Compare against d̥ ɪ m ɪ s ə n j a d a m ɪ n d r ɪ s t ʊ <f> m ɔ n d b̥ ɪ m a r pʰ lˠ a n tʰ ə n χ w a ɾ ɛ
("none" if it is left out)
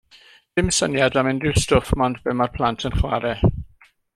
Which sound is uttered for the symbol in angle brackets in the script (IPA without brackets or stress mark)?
f